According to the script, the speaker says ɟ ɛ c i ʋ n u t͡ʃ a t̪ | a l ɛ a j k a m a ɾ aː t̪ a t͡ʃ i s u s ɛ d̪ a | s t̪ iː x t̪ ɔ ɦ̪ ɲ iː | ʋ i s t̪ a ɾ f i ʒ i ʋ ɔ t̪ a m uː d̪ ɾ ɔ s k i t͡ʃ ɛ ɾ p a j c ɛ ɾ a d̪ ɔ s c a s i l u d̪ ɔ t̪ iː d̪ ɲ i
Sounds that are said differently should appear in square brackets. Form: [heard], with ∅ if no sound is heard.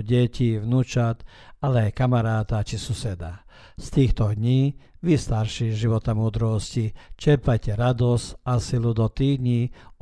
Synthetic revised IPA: ɟ ɛ c i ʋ n u t͡ʃ a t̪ | a l ɛ a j k a m a ɾ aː t̪ a t͡ʃ i s u s ɛ d̪ a | s t̪ iː x t̪ ɔ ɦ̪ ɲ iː | ʋ i s t̪ a ɾ [ʃ] i ʒ i ʋ ɔ t̪ a m uː d̪ ɾ ɔ s [c] i t͡ʃ ɛ ɾ p a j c ɛ ɾ a d̪ ɔ s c a s i l u d̪ ɔ t̪ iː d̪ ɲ i